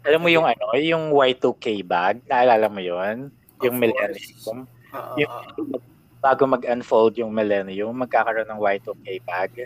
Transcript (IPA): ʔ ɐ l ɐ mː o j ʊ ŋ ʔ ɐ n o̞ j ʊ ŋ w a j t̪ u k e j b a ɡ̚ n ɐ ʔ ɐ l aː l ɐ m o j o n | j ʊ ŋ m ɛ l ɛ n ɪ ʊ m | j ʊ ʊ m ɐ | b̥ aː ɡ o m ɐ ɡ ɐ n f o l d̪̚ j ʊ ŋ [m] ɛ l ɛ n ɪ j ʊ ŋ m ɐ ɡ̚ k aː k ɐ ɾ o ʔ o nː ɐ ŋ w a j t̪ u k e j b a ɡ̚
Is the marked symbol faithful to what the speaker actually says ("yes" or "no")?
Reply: yes